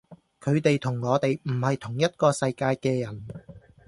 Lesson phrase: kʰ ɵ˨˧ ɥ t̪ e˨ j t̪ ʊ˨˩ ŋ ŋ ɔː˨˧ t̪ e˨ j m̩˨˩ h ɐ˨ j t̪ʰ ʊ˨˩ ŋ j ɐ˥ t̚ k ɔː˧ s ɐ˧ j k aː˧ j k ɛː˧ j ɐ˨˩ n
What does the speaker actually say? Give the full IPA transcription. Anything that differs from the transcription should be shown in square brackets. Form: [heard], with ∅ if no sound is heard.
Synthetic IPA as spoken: kʰ ɵ˨˧ ɥ t̪ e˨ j [t̪ʰ] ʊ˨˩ ŋ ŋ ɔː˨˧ t̪ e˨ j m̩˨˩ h ɐ˨ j t̪ʰ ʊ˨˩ ŋ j ɐ˥ t̚ k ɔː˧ s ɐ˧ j k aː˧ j k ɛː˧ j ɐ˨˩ n